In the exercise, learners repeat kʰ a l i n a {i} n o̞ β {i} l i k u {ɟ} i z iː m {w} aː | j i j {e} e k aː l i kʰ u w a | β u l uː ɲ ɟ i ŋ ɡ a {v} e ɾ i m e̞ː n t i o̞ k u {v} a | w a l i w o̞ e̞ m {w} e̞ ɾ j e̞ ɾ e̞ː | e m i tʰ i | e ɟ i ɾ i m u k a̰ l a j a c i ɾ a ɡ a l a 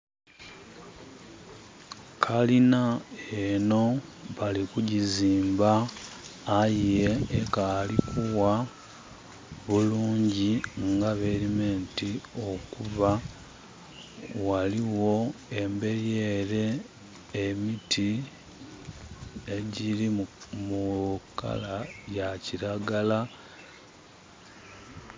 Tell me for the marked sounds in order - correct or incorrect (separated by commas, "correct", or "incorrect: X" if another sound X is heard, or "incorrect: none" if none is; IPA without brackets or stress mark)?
incorrect: e, incorrect: a, correct, incorrect: b, correct, incorrect: β, incorrect: β, incorrect: b